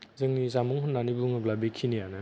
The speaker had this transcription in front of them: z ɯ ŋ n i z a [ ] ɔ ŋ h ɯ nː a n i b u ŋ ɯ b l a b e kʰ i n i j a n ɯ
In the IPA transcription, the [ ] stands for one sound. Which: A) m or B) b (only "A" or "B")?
A